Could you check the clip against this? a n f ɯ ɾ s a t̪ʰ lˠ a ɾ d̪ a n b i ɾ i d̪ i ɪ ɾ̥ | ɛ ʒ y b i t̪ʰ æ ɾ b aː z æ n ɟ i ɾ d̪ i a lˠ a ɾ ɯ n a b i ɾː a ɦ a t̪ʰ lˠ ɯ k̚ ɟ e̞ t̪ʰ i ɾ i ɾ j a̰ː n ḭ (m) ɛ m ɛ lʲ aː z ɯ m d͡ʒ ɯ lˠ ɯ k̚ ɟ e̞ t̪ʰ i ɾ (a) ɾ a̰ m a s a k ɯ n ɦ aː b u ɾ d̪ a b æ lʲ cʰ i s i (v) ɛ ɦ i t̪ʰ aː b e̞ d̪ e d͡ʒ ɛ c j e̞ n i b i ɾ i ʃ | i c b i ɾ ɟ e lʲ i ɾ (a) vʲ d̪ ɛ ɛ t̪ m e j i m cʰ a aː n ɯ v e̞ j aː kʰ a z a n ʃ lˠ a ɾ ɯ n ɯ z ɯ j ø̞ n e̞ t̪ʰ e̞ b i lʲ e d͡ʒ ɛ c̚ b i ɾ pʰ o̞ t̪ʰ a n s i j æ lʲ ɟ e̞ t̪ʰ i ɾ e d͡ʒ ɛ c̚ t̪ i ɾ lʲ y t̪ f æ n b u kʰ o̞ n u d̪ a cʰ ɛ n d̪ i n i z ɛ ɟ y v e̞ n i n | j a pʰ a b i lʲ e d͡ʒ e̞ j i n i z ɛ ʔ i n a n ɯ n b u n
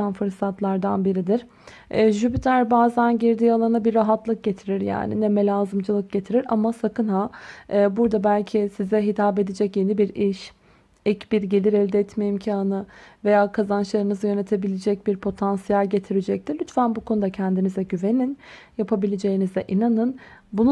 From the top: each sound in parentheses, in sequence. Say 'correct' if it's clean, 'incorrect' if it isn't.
incorrect, incorrect, incorrect, incorrect

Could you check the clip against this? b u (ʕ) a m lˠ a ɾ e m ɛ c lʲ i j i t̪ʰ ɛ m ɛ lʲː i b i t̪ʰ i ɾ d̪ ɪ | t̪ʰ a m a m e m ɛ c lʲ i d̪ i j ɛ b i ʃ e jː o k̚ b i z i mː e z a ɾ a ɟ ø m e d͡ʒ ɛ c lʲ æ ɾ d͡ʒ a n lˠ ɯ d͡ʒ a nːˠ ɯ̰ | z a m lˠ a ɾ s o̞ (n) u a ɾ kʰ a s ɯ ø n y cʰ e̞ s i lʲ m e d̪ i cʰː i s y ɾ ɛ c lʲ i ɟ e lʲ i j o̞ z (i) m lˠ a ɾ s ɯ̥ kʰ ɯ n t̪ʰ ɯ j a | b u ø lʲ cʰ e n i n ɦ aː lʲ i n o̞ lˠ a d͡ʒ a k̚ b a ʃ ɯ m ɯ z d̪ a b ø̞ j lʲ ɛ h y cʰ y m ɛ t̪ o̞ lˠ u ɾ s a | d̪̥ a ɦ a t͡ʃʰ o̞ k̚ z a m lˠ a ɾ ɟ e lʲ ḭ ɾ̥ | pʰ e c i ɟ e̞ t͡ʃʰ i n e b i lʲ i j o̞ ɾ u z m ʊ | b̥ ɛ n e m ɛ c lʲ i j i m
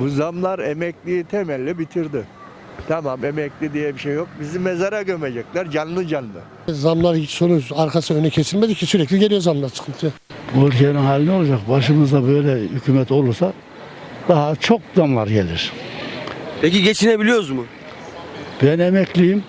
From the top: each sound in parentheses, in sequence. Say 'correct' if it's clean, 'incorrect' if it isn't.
incorrect, correct, incorrect

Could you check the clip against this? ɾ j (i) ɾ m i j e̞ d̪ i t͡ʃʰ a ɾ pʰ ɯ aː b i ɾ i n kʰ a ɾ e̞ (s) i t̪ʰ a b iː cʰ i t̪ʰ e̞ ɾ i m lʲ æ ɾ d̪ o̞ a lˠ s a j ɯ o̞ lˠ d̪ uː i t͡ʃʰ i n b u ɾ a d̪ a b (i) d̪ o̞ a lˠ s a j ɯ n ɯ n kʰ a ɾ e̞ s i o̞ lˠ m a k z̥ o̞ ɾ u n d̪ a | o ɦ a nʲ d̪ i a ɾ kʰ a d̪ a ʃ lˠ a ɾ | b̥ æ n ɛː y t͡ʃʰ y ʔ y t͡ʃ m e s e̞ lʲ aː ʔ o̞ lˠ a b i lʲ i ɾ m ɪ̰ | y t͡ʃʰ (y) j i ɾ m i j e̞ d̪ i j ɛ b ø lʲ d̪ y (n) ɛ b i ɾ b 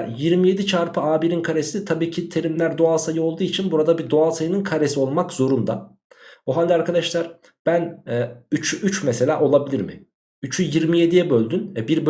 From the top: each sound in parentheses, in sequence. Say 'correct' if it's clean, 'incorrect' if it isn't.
correct, correct, correct, correct, correct

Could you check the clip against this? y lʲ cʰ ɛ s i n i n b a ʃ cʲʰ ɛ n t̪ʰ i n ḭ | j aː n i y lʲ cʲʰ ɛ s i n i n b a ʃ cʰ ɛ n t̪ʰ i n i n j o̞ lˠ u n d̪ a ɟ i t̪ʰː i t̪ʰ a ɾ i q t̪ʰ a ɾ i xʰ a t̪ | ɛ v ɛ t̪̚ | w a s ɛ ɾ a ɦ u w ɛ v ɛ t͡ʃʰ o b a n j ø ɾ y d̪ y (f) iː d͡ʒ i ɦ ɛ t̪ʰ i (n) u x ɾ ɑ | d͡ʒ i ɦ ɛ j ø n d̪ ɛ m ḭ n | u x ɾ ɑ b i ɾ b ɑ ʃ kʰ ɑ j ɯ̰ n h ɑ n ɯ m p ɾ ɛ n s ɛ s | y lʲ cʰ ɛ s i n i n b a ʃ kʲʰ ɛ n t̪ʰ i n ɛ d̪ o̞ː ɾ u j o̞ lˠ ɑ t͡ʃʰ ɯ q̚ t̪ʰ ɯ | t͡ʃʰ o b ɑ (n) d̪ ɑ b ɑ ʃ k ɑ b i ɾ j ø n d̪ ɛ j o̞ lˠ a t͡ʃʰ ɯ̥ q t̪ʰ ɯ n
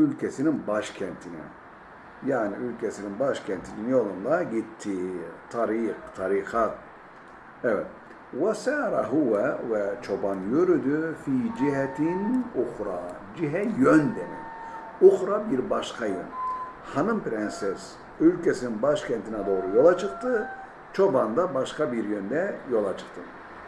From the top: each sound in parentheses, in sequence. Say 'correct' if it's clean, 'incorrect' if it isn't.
correct, correct, correct

